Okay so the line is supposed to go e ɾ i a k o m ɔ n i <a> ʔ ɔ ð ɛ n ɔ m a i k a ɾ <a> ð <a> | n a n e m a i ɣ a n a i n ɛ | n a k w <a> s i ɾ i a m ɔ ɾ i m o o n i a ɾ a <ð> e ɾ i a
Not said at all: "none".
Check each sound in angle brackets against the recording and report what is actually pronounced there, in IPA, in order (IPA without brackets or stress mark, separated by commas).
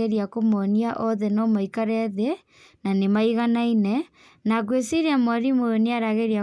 a, ɛ, e, e, ɣ